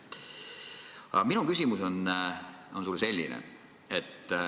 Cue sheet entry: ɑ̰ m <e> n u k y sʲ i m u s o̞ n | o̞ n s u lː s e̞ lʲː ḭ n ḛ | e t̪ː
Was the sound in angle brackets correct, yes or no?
no